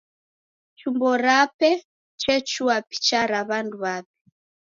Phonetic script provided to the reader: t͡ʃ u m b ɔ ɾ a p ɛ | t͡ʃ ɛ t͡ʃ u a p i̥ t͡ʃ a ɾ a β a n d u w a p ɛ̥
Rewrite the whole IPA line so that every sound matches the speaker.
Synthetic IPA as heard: t͡ʃ u m b ɔ ɾ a p ɛ | t͡ʃ ɛ t͡ʃ u a p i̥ t͡ʃ a ɾ a β a n d u β a p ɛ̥